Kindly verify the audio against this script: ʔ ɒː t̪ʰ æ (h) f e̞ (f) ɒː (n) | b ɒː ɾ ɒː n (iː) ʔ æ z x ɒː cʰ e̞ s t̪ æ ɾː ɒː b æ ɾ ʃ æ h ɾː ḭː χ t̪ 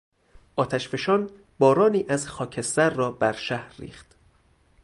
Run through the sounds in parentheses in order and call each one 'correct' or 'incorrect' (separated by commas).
incorrect, incorrect, correct, correct